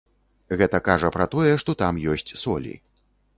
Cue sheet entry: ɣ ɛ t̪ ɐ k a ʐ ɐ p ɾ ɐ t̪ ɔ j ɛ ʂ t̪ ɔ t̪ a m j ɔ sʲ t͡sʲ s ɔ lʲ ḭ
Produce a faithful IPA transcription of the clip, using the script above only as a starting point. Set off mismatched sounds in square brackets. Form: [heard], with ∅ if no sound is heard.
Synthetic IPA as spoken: ɣ ɛ t̪ ɐ k a ʐ ɐ p ɾ ɐ t̪ ɔ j ɛ ʂ t̪ ɔ t̪ a m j ɔ sʲ t͡sʲ s ɔ lʲ ḭ